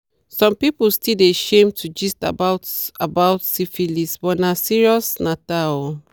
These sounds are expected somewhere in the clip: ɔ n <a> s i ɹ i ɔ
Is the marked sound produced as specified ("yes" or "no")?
yes